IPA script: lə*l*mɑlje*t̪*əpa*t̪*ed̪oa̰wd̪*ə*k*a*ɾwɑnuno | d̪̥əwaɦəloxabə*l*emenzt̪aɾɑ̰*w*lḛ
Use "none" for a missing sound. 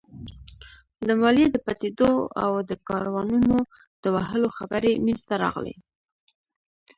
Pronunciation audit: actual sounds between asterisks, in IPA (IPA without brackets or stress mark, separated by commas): none, d̪, t̪, ə, ɑ, ɾ, ɣ